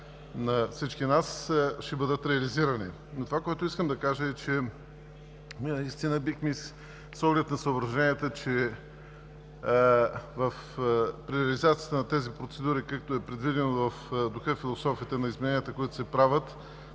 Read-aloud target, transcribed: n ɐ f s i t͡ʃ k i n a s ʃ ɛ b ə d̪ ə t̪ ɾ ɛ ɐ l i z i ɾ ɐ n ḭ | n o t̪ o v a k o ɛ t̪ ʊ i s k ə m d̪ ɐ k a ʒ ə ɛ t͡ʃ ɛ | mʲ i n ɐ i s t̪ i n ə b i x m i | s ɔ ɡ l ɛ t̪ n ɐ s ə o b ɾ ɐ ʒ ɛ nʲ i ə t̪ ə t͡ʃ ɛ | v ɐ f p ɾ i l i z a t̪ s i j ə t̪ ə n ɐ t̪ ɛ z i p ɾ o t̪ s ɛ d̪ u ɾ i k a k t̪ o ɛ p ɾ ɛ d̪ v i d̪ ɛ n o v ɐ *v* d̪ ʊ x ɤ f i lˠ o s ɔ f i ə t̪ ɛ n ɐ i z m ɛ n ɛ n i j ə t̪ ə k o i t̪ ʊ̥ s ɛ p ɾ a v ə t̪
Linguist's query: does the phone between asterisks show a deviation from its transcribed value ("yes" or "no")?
yes